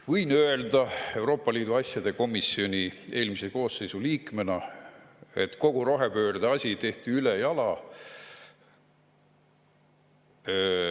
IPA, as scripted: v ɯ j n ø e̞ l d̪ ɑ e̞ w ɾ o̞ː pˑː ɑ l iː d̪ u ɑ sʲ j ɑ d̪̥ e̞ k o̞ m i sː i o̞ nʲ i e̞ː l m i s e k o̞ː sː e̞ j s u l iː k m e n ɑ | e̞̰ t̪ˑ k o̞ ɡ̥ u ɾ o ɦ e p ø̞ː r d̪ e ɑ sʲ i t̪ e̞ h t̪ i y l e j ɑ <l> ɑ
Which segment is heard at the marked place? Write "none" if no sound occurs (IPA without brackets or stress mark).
l